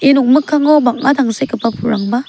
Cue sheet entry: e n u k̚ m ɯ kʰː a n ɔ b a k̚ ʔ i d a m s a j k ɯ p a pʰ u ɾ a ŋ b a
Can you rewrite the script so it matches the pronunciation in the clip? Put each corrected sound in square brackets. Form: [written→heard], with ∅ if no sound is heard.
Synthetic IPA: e n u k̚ m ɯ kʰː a [n→ŋ] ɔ b a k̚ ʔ [i→a] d a [m→ŋ] s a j k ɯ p a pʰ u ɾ a ŋ b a